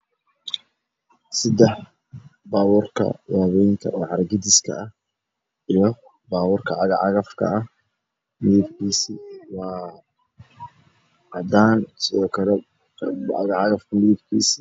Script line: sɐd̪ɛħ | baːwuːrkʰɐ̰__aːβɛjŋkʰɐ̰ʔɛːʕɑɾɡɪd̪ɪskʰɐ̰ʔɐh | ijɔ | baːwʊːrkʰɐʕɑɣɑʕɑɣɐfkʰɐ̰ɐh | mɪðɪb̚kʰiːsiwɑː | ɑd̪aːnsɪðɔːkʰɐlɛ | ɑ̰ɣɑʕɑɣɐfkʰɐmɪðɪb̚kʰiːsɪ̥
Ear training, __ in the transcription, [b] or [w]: w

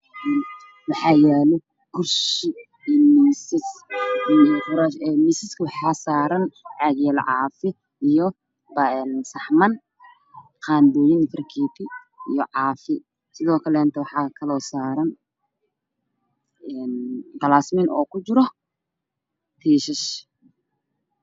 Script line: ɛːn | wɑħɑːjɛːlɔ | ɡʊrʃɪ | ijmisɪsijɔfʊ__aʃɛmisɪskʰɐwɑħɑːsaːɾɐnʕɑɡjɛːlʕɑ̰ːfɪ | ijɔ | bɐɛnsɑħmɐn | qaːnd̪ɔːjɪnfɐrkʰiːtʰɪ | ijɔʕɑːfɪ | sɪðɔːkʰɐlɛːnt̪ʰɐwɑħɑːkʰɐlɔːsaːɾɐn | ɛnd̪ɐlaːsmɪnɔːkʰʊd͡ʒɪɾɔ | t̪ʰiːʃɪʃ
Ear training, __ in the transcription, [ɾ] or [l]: ɾ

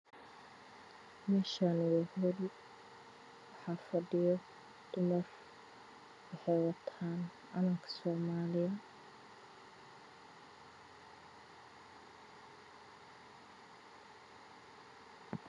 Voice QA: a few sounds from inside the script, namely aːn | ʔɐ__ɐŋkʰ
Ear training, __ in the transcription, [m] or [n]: n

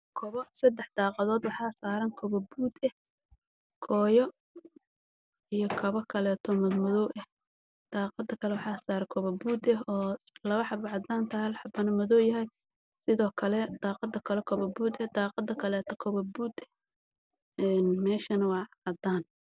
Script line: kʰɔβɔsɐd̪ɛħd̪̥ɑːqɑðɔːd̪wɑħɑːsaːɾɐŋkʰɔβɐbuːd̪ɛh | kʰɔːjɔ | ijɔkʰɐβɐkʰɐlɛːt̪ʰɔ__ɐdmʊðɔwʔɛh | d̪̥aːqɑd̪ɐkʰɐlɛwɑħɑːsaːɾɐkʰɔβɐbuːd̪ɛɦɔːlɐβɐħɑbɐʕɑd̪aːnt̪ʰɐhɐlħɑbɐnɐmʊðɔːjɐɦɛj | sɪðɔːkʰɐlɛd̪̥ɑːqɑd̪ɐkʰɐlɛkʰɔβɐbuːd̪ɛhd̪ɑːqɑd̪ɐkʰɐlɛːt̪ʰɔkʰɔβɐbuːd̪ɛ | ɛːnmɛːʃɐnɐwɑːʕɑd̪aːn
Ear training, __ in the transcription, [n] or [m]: m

